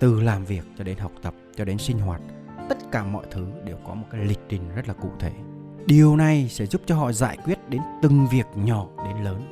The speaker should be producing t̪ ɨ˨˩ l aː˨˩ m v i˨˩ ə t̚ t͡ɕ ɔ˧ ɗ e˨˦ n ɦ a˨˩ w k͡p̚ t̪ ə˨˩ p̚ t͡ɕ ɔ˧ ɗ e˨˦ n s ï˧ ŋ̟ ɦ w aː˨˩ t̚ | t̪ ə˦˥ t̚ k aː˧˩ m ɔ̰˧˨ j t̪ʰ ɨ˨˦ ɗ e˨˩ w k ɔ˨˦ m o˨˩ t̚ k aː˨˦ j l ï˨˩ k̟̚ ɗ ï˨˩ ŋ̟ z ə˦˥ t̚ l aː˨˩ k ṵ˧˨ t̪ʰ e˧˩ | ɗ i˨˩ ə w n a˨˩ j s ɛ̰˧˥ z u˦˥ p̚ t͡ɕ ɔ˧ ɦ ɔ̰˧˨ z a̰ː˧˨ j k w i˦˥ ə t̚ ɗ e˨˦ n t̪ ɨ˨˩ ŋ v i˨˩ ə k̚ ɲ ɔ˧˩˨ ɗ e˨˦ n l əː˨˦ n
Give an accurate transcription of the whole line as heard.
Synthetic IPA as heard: t̪ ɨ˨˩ l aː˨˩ m v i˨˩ ə k̚ t͡ɕ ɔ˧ ɗ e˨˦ n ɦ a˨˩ w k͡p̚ t̪ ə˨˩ p̚ t͡ɕ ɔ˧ ɗ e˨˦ n s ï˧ ŋ̟ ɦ w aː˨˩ t̚ | t̪ ə˦˥ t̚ k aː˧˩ m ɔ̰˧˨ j t̪ʰ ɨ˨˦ ɗ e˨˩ w k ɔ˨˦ m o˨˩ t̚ k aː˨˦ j l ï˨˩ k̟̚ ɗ ï˨˩ ŋ̟ z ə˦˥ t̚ l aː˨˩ k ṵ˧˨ t̪ʰ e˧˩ | ɗ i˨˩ ə w n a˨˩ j s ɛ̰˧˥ z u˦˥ p̚ t͡ɕ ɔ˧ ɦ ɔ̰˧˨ z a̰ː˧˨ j k w i˦˥ ə t̚ ɗ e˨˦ n t̪ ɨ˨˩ ŋ v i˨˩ ə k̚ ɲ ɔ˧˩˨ ɗ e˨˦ n l əː˨˦ n